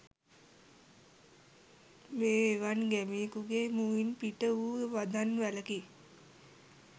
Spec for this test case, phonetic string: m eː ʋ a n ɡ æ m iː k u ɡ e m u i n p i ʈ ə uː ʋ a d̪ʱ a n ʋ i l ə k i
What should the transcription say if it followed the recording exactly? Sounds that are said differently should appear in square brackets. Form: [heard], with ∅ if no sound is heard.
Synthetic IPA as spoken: m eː ʋ a n ɡ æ m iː k u ɡ e m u i n p i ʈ ə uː ʋ a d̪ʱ a n ʋ [æ] l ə k i